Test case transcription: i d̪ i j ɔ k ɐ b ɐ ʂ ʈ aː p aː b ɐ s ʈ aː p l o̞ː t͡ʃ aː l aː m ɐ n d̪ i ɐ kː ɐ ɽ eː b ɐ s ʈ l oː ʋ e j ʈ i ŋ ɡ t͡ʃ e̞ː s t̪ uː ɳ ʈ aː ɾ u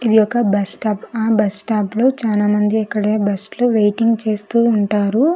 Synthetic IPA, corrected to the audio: i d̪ i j ɔ k ɐ b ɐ s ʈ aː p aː b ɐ s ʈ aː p l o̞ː t͡ʃ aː l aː m ɐ n d̪ i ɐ kː ɐ ɽ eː b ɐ s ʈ l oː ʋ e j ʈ i ŋ ɡ t͡ʃ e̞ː s t̪ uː ɳ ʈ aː ɾ u